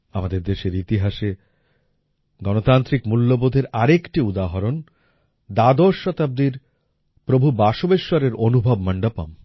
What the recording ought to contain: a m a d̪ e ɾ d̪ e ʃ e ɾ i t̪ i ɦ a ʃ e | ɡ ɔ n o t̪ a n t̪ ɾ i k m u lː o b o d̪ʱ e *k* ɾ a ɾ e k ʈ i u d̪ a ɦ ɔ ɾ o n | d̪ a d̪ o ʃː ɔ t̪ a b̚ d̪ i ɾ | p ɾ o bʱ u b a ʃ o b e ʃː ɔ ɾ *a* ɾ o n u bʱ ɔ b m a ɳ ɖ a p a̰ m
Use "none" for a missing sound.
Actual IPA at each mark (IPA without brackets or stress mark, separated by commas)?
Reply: none, e